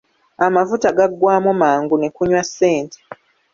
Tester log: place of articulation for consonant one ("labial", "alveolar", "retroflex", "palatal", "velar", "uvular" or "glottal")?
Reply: labial